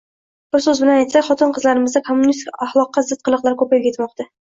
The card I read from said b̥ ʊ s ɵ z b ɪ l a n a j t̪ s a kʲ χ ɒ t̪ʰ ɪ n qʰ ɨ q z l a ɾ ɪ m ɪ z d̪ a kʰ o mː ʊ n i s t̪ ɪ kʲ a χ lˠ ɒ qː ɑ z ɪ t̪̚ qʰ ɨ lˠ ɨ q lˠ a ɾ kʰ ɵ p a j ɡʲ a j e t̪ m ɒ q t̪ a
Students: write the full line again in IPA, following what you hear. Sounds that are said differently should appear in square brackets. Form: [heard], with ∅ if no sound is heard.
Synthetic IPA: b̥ ʊ s ɵ z b ɪ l a n a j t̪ s a kʲ χ ɒ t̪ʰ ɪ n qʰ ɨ [∅] z l a ɾ ɪ m ɪ z d̪ a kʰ o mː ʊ n i s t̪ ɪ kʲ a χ lˠ ɒ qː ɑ z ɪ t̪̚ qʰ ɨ lˠ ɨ q lˠ a ɾ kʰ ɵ p a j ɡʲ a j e t̪ m ɒ q t̪ a